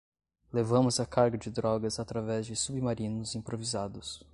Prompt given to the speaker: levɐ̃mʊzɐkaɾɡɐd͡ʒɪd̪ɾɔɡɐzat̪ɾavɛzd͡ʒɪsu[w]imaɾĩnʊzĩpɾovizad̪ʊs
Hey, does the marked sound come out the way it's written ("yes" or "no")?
no